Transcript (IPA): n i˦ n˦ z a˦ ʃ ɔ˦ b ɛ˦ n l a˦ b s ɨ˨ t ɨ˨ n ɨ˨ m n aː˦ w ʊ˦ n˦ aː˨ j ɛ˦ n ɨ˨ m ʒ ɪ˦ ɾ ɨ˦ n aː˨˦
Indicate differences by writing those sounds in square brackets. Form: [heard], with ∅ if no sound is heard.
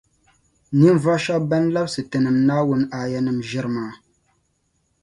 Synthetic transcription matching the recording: n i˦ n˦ [v] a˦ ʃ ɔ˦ b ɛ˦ n l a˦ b s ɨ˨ t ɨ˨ n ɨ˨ m n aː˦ w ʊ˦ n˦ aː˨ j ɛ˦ n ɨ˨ m ʒ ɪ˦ ɾ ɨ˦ [m] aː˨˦